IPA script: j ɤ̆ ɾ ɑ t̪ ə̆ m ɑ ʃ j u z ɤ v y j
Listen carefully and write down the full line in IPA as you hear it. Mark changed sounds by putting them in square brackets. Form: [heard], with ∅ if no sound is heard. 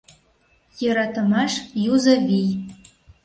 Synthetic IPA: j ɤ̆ ɾ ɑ t̪ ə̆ m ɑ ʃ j u z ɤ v [i] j